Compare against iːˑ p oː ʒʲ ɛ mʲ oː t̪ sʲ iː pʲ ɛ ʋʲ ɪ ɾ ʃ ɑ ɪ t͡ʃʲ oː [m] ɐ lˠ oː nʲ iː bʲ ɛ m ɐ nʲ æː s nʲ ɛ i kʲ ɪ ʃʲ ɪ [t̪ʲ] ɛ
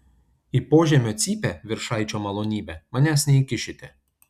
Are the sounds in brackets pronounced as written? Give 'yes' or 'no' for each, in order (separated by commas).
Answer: yes, yes